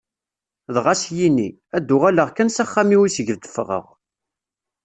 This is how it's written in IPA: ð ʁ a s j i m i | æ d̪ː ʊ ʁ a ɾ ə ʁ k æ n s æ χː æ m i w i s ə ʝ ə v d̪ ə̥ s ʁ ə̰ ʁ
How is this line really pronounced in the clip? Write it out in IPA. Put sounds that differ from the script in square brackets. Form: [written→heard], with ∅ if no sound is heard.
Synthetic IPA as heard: ð ʁ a s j i [m→n] i | æ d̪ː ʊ ʁ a [ɾ→l] ə ʁ k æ n s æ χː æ m i w i s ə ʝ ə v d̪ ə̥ [s→f] ʁ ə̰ ʁ